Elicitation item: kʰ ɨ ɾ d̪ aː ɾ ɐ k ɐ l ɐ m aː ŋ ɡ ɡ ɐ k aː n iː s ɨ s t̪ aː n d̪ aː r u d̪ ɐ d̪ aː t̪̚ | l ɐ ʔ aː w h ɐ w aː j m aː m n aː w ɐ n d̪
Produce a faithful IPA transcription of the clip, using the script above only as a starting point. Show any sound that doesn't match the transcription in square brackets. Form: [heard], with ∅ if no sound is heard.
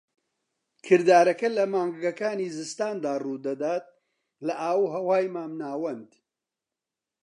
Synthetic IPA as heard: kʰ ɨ ɾ d̪ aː ɾ ɐ k ɐ l ɐ m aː ŋ ɡ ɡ ɐ k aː n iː [z] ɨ s t̪ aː n d̪ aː r u d̪ ɐ d̪ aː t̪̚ | l ɐ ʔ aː w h ɐ w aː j m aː m n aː w ɐ n d̪